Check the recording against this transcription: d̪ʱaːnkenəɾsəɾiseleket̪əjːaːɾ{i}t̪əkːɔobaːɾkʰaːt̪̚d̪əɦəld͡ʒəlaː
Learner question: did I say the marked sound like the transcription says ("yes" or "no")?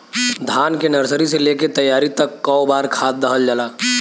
yes